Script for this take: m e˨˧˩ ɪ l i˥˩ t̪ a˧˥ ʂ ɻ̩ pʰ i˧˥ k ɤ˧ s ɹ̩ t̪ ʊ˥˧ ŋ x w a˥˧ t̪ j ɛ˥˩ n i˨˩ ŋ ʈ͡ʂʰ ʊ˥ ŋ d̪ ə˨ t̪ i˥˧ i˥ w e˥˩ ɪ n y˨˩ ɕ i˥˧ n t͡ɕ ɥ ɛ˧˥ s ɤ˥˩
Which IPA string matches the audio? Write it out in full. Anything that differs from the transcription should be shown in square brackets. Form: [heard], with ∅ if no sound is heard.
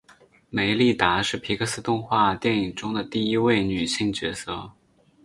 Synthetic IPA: m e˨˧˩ ɪ l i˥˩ t̪ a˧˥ ʂ ɻ̩ pʰ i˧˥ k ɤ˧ s ɹ̩ t̪ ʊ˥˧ ŋ x w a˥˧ t̪ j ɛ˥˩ n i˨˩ ŋ [ʈ͡ʂ] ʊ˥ ŋ d̪ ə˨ t̪ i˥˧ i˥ w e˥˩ ɪ n y˨˩ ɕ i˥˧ [ŋ] t͡ɕ ɥ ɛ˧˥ s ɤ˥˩